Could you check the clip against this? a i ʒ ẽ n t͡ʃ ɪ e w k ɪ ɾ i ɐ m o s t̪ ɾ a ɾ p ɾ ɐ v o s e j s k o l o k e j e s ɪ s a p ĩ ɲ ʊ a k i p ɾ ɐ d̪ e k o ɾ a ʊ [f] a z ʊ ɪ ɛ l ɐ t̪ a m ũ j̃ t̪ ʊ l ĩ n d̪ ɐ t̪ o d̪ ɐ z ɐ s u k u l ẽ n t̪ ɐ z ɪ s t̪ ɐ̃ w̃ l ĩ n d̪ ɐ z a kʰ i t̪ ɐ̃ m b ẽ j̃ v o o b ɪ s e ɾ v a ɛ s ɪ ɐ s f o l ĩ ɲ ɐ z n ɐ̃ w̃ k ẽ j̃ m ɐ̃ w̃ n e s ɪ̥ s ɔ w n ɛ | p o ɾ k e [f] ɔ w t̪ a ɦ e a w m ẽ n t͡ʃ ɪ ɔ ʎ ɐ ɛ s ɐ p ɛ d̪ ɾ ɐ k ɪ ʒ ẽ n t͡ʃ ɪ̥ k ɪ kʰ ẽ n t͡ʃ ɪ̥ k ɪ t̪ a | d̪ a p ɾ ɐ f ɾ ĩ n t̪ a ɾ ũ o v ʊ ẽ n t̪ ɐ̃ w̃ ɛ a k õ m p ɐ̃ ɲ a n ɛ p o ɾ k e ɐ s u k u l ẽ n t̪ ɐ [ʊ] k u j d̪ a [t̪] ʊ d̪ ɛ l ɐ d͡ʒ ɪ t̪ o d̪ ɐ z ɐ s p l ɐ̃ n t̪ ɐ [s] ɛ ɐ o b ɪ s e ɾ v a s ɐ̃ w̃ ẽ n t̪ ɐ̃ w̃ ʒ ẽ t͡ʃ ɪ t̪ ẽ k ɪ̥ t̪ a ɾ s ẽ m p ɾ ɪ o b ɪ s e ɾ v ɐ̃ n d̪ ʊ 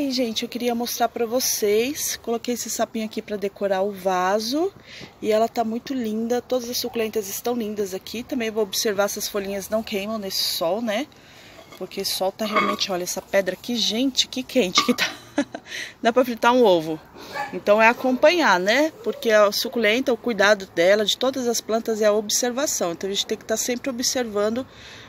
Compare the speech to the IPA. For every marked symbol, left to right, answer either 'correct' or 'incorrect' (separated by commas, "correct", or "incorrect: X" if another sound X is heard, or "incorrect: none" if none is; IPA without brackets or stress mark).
incorrect: v, incorrect: s, correct, incorrect: d̪, incorrect: z